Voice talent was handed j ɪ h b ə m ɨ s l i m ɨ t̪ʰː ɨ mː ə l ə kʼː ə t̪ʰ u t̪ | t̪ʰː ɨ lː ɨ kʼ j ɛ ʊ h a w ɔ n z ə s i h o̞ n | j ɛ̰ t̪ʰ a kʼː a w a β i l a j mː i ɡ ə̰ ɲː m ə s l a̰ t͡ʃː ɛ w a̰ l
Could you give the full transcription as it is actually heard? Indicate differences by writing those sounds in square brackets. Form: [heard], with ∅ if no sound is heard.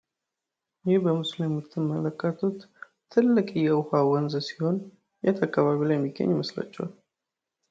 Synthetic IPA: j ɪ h b ə m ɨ s l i m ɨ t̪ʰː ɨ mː ə l ə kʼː ə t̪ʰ u t̪ | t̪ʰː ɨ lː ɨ kʼ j ɛ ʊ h a w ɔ n z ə s i h o̞ n | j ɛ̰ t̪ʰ a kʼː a [β] a β i l a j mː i ɡ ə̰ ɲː m ə s l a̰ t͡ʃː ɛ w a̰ l